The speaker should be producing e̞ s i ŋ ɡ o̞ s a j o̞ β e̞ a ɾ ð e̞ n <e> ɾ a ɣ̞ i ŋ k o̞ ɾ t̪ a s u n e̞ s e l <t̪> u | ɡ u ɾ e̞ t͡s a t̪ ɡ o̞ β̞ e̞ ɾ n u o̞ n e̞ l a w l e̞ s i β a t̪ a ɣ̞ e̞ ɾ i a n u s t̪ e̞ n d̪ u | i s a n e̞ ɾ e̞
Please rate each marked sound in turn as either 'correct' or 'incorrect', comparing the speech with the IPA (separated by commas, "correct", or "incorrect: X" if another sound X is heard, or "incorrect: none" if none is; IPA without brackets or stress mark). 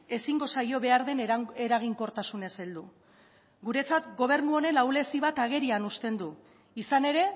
correct, incorrect: d̪